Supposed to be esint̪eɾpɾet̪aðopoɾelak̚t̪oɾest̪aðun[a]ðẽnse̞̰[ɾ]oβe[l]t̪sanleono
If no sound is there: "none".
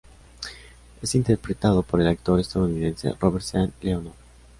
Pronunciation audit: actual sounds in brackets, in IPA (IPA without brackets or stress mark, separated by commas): i, r, ɾ